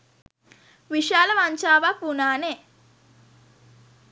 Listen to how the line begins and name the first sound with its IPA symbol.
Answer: ʋ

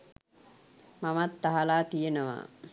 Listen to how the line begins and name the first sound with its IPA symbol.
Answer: m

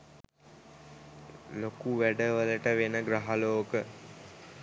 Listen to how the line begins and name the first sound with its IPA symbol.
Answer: l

